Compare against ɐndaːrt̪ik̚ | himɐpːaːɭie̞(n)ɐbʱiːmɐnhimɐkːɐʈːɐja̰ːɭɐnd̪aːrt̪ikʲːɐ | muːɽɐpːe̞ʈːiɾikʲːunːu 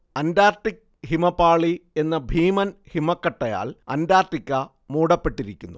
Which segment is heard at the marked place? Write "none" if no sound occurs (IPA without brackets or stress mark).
nː